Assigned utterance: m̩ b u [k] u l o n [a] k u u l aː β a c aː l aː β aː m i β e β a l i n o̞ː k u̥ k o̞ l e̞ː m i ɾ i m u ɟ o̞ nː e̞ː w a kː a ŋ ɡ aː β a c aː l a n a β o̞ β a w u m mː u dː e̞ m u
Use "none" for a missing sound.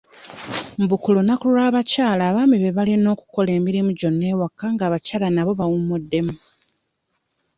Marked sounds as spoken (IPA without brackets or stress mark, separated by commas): k, a